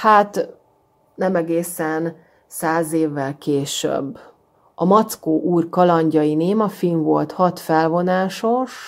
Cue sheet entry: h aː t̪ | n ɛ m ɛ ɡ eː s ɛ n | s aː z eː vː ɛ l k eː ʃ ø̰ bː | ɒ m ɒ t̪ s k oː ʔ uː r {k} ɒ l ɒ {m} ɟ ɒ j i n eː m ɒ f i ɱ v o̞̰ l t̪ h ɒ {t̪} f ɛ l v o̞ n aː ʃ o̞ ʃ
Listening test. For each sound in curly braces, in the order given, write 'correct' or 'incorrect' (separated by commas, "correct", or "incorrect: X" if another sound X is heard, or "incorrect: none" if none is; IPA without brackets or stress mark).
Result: correct, incorrect: ɲ, correct